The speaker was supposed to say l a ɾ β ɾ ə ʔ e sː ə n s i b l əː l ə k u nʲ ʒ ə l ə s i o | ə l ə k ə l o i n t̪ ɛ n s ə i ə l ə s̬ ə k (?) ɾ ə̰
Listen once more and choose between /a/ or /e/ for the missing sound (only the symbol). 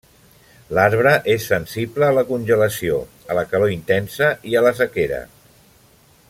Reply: e